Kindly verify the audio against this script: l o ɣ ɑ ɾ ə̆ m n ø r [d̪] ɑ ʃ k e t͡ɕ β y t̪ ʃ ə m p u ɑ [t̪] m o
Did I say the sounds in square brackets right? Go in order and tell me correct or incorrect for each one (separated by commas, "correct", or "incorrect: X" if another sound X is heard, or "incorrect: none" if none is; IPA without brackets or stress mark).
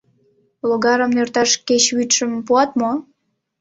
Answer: incorrect: t̪, correct